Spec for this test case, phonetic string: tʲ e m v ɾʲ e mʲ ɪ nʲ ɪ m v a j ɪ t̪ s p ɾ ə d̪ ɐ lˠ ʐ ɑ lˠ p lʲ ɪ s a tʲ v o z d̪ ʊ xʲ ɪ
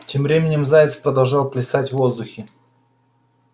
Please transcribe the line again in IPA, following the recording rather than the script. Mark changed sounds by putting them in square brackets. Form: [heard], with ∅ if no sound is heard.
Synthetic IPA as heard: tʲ e m v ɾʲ e mʲ ɪ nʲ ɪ m [z] a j ɪ t̪ s p ɾ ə d̪ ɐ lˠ ʐ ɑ lˠ p lʲ ɪ s a tʲ v o z d̪ ʊ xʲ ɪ